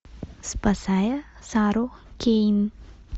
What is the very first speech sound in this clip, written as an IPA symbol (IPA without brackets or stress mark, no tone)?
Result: s